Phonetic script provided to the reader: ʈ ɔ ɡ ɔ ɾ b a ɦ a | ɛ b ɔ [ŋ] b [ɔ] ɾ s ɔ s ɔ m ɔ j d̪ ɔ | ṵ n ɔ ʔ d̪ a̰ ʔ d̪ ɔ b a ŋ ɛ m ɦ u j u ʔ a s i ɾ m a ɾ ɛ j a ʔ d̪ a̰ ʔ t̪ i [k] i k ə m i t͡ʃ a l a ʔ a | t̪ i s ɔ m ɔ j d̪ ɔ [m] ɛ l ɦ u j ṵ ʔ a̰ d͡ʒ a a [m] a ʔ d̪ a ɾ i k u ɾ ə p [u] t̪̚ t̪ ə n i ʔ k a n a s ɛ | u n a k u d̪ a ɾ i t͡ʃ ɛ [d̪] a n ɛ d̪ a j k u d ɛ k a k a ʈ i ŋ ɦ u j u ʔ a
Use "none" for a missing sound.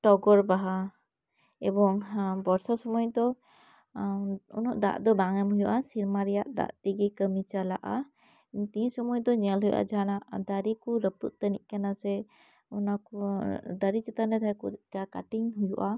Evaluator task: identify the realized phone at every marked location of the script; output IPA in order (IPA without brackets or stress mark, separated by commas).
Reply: ŋ, ɔ, ɡ, ɲ, n, u, t̪